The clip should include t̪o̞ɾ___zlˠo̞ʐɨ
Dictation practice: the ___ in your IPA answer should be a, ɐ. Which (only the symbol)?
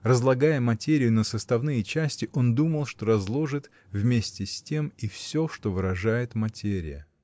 ɐ